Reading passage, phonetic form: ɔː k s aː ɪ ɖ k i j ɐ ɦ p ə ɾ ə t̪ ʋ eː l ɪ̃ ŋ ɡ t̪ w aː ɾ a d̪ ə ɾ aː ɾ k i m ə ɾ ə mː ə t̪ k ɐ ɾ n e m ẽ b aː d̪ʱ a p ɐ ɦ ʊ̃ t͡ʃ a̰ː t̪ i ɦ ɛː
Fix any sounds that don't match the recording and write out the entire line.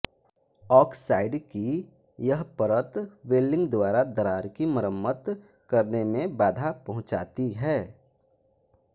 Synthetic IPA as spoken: ɔː k s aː ɪ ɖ k i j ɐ ɦ p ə ɾ ə t̪ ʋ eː l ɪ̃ ŋ ɡ d̪ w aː ɾ a d̪ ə ɾ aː ɾ k i m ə ɾ ə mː ə t̪ k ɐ ɾ n e m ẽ b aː d̪ʱ a p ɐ ɦ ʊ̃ t͡ʃ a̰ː t̪ i ɦ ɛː